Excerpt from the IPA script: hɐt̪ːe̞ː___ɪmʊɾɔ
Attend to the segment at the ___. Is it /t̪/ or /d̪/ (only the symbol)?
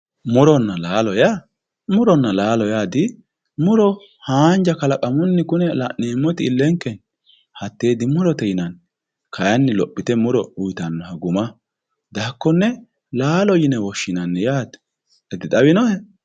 d̪